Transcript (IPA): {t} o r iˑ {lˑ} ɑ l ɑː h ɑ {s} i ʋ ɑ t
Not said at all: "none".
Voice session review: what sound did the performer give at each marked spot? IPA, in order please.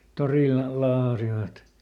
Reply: t, lˑ, s

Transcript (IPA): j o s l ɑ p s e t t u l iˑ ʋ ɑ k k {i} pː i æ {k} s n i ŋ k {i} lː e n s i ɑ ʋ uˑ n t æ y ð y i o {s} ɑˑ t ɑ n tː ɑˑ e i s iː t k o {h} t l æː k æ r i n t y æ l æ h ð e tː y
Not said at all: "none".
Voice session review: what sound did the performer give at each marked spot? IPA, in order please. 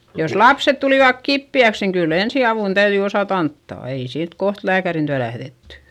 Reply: i, k, y, s, h

